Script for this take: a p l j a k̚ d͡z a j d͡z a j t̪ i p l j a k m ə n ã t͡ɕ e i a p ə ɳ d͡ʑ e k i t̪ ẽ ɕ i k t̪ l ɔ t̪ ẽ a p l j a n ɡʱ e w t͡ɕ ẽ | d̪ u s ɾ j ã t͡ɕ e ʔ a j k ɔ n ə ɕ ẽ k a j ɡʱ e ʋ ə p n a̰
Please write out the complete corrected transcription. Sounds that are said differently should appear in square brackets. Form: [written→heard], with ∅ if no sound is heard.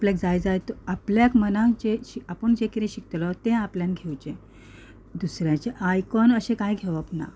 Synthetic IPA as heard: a p l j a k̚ d͡z a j d͡z a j t̪ [i→a] p l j a k m ə n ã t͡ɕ e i a p ə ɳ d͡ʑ e k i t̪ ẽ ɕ i k t̪ l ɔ t̪ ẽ a p l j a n ɡʱ e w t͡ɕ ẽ | d̪ u s ɾ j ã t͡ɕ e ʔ a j k ɔ n ə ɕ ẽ k a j ɡʱ e ʋ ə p n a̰